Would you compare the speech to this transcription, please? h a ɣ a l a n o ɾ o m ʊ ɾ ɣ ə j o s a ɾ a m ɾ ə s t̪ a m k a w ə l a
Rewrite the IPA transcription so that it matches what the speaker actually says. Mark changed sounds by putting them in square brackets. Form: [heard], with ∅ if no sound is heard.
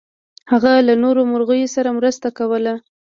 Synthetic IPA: h a ɣ a l a n o ɾ o m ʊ ɾ ɣ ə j o s a ɾ a m ɾ ə s t̪ a [∅] k a w ə l a